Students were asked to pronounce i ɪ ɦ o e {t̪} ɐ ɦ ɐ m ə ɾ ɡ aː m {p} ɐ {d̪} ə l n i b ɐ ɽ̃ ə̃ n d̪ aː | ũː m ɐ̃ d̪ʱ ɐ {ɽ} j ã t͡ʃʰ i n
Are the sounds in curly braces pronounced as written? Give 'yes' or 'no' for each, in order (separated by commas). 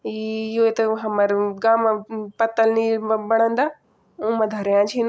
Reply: yes, yes, no, no